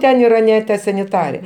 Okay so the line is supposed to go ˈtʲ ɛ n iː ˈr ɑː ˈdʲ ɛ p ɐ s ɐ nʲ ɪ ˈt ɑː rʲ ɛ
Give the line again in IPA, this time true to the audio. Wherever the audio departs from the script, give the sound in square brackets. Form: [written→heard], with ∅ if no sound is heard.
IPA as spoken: ˈtʲ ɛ n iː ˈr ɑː [ˈdʲ→ˈnʲ] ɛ [p→t] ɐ s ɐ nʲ ɪ ˈt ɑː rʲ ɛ